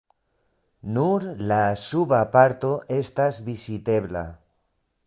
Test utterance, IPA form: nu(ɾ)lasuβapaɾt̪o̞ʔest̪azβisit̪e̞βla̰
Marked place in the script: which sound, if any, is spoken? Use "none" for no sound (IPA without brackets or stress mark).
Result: ɾ